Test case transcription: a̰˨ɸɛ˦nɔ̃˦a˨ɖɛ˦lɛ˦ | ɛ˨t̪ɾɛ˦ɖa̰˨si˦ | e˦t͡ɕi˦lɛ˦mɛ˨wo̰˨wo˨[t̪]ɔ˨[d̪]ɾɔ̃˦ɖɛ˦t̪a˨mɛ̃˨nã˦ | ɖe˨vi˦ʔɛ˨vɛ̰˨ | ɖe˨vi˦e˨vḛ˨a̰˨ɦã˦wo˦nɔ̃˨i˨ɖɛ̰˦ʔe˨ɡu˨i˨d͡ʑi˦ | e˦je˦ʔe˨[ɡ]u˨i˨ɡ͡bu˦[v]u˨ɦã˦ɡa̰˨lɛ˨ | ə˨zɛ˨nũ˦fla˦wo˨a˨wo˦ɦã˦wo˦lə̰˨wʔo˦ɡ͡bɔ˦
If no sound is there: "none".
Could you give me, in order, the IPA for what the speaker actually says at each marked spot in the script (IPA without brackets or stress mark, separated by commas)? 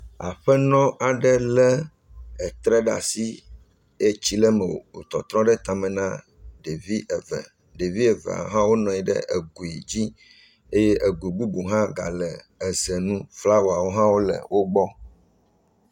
t̪, t̪, ɡ, b